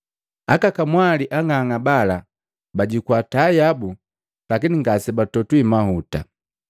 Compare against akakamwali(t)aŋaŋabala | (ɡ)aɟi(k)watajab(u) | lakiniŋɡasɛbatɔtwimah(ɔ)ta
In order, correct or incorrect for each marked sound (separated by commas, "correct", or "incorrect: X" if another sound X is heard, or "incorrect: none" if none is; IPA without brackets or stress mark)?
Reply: incorrect: ʔ, incorrect: b, correct, correct, incorrect: u